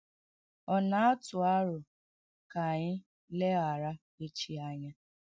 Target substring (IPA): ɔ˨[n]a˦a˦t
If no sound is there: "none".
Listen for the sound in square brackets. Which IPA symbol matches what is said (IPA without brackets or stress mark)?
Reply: n